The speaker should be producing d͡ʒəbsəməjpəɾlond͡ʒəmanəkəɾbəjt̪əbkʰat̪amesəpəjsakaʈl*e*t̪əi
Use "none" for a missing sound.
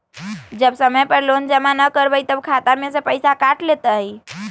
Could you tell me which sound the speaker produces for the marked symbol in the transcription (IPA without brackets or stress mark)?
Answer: e